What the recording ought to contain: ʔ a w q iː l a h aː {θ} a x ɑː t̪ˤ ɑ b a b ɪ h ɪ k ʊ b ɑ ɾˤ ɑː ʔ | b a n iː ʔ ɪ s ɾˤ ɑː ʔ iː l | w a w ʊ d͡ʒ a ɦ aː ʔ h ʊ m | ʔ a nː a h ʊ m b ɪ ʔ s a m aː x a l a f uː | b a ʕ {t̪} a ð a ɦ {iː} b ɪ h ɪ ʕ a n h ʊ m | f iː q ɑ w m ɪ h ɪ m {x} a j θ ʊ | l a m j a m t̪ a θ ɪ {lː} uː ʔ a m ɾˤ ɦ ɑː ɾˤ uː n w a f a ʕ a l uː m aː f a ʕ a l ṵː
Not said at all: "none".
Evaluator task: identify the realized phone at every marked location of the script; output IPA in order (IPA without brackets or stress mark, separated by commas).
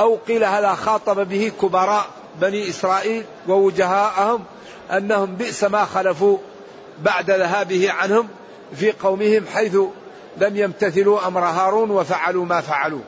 ð, d̪, aː, ħ, l